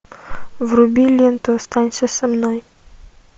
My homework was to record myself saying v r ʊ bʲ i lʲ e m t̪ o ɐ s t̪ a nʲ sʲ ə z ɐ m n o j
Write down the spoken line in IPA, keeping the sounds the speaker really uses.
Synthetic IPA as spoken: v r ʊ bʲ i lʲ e n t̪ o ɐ s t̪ a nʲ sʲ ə s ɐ m n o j